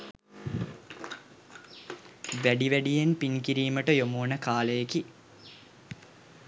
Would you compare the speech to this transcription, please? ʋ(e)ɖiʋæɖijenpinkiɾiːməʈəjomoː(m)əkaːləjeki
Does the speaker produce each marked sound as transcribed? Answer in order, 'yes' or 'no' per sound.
no, no

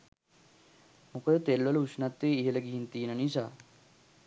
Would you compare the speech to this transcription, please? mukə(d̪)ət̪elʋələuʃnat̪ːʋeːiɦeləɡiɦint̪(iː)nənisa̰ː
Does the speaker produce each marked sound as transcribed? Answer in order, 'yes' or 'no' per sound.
yes, yes

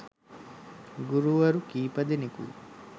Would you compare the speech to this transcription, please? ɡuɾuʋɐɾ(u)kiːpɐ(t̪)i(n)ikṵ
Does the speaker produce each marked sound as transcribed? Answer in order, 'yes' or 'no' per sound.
yes, no, yes

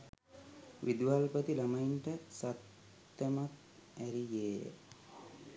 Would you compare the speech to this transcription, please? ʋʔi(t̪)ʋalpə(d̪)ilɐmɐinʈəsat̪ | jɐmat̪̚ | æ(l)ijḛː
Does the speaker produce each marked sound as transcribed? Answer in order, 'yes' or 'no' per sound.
no, no, no

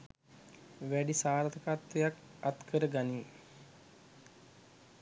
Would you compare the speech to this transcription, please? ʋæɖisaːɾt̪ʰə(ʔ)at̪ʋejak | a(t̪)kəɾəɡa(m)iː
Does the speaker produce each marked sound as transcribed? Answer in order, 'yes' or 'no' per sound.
no, yes, no

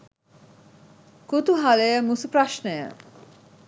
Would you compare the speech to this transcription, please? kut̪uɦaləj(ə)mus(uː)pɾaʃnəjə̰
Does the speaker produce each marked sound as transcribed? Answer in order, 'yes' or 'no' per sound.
yes, no

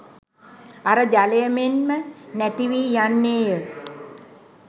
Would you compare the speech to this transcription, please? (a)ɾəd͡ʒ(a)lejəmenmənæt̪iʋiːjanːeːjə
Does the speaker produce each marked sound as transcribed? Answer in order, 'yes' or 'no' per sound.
yes, yes

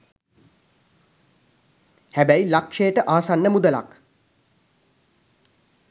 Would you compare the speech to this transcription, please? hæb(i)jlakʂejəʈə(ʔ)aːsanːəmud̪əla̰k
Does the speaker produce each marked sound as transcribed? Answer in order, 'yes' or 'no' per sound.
no, yes

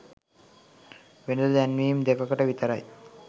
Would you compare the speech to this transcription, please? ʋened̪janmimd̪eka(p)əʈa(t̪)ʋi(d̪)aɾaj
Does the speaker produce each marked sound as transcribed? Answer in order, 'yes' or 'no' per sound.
no, no, no

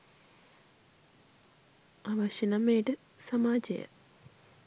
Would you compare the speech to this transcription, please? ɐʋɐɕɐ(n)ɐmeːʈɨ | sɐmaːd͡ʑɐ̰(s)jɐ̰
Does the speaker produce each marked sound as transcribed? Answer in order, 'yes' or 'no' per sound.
yes, no

